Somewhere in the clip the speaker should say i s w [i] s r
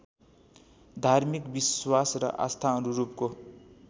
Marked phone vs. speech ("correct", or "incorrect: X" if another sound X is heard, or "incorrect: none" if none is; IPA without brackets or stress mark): incorrect: a